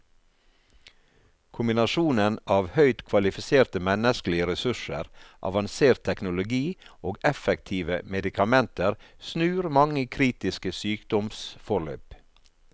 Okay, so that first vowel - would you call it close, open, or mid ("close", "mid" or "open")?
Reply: close